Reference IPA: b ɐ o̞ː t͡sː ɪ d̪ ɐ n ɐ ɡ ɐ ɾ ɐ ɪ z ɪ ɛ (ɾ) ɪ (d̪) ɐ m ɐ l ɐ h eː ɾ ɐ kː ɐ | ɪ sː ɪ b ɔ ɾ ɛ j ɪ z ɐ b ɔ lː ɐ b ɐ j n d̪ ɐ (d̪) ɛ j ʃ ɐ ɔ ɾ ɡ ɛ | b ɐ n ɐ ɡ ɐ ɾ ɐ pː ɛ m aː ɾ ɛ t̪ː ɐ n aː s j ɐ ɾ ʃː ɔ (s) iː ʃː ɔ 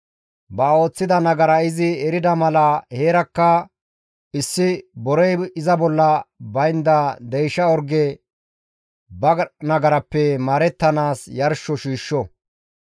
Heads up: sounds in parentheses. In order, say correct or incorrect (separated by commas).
correct, correct, correct, incorrect